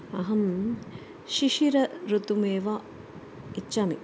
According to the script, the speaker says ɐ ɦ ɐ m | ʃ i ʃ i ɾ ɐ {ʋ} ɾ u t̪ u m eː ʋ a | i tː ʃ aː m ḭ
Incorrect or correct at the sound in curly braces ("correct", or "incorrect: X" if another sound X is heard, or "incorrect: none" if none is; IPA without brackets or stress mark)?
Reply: incorrect: none